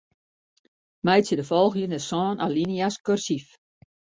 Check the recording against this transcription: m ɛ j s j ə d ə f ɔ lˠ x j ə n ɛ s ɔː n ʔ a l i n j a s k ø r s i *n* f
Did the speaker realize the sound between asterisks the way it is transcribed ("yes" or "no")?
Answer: no